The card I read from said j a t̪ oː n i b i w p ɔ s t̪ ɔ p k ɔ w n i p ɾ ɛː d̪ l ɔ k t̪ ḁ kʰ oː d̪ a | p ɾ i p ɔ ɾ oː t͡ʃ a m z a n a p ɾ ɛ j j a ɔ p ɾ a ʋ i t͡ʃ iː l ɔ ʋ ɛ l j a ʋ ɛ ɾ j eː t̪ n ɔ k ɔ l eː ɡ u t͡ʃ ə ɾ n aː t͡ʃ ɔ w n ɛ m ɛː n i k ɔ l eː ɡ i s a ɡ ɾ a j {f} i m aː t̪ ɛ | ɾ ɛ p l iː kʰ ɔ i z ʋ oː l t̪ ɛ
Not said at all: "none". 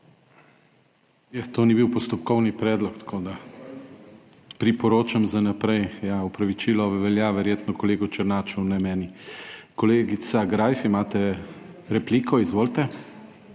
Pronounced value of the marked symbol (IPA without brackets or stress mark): f